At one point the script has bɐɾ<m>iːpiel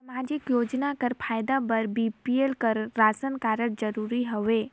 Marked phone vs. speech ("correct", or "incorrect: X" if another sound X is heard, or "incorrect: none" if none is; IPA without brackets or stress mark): incorrect: b